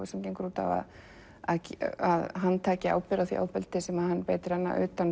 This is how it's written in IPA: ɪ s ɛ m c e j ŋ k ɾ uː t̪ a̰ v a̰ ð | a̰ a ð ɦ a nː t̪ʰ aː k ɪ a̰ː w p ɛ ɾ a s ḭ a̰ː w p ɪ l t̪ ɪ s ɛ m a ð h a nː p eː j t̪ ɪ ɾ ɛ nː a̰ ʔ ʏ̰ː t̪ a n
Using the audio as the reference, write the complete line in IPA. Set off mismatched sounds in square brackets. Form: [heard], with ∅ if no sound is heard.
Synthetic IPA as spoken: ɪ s ɛ m c e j ŋ k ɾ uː t̪ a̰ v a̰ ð | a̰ a ð ɦ a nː t̪ʰ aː [c] ɪ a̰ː w p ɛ ɾ a [θ] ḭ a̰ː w p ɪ l t̪ ɪ s ɛ m a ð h a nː p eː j t̪ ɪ ɾ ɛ nː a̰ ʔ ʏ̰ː t̪ a n